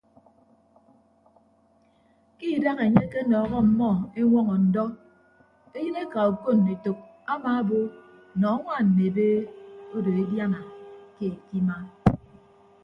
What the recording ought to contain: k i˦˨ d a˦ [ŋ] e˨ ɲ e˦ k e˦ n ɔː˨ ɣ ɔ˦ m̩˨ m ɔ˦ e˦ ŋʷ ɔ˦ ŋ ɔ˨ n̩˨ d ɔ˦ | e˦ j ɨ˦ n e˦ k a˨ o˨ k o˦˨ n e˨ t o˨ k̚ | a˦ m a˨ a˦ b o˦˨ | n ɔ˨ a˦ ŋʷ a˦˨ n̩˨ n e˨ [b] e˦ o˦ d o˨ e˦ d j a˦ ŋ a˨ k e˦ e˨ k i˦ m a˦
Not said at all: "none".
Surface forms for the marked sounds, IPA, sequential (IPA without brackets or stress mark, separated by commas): ŋ, b